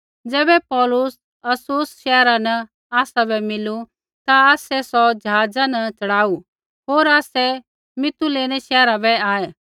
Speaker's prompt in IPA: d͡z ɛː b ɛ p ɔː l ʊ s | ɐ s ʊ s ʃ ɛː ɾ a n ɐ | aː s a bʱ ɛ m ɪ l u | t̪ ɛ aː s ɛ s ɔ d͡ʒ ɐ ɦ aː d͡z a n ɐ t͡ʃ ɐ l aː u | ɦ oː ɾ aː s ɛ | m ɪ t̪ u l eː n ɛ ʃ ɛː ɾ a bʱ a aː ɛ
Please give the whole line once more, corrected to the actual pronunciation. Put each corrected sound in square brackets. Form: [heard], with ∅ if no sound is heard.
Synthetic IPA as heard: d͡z ɛː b ɛ p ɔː l ʊ s | ɐ s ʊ s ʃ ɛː ɾ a n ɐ | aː s a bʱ ɛ m ɪ l u | t̪ [a] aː s ɛ s ɔ d͡ʒ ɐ ɦ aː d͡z a n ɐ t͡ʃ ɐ [ɽ] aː u | ɦ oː ɾ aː s ɛ | m ɪ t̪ u l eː n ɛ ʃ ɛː ɾ a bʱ [ɛ] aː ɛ